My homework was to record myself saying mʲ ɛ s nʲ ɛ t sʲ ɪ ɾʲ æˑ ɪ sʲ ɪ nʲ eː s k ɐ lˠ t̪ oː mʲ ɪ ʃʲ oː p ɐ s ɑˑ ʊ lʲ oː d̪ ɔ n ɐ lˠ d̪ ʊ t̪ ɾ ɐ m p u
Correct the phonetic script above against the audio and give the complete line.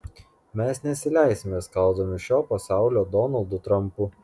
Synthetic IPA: mʲ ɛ s nʲ ɛ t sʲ ɪ lʲ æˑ ɪ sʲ ɪ mʲ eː s k ɐ lˠ d̪ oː mʲ ɪ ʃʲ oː p ɐ s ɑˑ ʊ lʲ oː d̪ ɔ n ɐ lˠ d̪ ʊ t̪ ɾ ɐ m p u